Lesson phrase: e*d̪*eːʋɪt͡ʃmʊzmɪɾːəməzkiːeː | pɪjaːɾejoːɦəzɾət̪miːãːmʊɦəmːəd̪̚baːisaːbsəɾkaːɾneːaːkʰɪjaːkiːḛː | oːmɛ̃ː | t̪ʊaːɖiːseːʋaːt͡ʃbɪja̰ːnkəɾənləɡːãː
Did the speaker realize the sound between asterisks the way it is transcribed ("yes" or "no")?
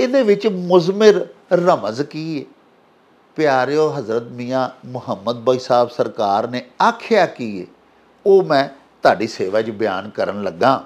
yes